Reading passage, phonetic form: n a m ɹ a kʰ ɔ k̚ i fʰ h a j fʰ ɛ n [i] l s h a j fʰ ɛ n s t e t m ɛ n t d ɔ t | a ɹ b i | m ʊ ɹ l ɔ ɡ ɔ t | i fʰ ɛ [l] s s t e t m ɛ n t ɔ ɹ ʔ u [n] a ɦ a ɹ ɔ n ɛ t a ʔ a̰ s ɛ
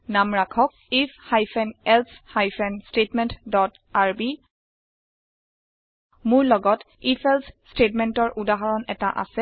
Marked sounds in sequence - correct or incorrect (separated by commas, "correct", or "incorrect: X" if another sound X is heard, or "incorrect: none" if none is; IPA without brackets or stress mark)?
incorrect: ɛ, correct, incorrect: d